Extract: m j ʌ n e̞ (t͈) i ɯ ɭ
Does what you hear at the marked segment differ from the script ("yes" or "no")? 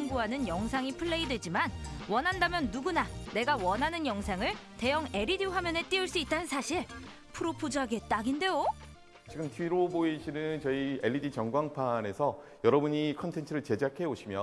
no